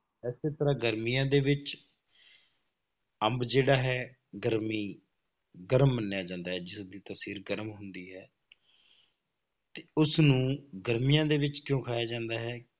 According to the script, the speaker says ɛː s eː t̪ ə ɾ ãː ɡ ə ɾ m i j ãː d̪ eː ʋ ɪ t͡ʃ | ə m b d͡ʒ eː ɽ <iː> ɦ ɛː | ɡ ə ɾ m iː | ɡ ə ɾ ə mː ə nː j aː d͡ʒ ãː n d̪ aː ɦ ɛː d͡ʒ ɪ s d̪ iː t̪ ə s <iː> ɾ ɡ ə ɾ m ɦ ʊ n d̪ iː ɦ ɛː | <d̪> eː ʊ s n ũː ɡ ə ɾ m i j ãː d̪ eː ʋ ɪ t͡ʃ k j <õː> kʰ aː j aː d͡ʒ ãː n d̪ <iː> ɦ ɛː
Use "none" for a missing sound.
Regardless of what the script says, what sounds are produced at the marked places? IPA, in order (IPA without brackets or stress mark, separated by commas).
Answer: aː, iː, t̪, õː, aː